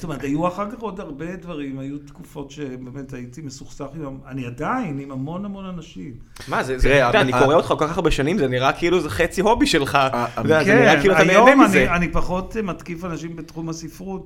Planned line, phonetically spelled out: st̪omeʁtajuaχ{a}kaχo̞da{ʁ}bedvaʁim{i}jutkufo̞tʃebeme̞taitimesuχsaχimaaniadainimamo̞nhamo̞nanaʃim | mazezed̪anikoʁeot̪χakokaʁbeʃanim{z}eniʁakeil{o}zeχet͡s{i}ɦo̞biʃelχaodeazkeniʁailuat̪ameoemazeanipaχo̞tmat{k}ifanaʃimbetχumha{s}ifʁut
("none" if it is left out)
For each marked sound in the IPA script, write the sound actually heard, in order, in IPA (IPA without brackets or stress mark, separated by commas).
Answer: a, ʁ, a, z, u, i, k, s